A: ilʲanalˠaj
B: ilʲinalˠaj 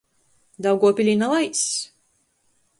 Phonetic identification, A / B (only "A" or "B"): B